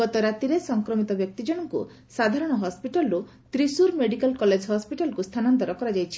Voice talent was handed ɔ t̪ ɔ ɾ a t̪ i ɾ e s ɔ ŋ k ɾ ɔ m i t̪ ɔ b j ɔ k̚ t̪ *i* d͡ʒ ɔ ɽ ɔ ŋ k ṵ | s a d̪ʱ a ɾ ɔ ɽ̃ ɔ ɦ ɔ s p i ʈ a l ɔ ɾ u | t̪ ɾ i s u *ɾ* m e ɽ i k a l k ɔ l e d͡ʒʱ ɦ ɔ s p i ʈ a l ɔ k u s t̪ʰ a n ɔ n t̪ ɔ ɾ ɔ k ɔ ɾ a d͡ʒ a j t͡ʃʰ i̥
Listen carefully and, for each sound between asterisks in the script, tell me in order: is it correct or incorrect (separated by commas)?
correct, correct